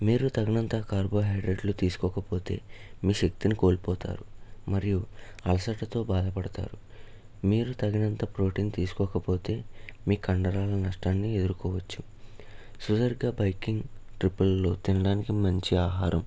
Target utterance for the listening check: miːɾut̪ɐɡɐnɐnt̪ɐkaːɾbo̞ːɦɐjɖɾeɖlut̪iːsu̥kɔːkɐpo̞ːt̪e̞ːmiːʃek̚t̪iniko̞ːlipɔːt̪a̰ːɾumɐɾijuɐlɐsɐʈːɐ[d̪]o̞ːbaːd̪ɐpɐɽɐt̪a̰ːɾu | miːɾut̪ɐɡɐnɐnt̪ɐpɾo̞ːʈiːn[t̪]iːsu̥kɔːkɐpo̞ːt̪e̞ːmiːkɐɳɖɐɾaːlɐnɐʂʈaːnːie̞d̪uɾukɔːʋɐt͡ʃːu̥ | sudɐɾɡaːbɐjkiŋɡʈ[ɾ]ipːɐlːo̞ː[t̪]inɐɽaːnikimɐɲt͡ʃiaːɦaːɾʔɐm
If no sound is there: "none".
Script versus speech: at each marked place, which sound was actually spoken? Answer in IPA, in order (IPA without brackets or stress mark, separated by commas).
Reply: t̪, t̪, ɾ, t̪